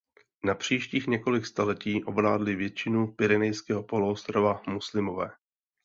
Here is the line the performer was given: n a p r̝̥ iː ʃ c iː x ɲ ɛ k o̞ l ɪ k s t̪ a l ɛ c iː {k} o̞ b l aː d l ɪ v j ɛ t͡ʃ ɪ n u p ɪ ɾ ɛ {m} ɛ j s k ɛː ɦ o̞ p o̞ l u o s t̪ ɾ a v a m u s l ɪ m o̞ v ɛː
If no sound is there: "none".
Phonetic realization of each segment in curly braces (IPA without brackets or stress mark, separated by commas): ʔ, n